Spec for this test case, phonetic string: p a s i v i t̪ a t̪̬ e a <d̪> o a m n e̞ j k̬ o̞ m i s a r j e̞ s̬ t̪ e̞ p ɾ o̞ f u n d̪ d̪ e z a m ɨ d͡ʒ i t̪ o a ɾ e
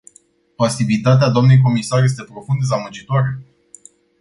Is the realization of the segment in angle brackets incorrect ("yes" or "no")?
no